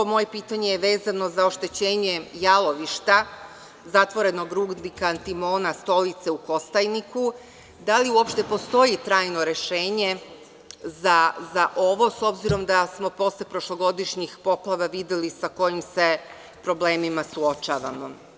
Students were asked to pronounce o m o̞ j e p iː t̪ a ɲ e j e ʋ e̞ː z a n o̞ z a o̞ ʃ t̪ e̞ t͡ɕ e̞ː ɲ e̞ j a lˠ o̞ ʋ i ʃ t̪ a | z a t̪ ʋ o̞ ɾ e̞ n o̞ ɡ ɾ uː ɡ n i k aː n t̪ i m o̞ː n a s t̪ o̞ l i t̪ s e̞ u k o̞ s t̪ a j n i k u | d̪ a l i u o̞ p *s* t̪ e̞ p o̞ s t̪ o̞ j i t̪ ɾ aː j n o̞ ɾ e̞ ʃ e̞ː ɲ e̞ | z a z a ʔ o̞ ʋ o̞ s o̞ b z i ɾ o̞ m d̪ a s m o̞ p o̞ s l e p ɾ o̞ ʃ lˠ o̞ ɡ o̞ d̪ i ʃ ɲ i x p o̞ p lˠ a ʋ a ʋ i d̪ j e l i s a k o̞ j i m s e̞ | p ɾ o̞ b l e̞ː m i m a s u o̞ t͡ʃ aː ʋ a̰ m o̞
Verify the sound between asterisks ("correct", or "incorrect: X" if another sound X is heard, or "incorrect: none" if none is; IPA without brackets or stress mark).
incorrect: ʃ